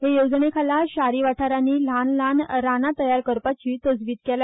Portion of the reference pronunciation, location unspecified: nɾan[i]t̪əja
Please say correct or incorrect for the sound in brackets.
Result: incorrect: a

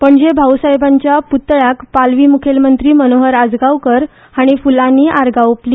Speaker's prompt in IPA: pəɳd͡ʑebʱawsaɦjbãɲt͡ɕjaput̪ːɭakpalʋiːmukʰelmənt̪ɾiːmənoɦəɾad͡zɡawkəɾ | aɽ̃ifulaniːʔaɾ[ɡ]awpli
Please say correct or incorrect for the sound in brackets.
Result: correct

